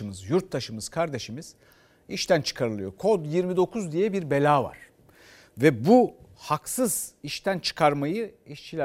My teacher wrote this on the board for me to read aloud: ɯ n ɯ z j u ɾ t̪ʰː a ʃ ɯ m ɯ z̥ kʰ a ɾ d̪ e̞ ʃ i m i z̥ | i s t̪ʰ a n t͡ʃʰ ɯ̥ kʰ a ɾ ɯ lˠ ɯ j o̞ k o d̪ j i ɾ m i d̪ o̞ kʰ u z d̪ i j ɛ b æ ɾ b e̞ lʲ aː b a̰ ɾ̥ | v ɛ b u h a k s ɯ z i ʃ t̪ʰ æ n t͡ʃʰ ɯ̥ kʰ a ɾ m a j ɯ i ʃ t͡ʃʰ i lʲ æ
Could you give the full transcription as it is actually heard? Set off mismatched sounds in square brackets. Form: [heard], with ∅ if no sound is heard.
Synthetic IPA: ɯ [m] ɯ z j u ɾ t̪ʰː a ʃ ɯ m ɯ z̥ kʰ a ɾ d̪ e̞ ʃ i m i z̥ | i [ʃ] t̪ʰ [æ] n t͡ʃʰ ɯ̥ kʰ a ɾ ɯ lˠ ɯ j o̞ [kʰ] o d̪ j i ɾ m i d̪ o̞ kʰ u z d̪ i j ɛ b [i] ɾ b e̞ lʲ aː [v] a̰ ɾ̥ | v ɛ b u h a k s ɯ z i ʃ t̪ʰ æ n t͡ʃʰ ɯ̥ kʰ a ɾ m a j ɯ i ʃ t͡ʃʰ i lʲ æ